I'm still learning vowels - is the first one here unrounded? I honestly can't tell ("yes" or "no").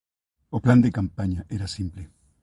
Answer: no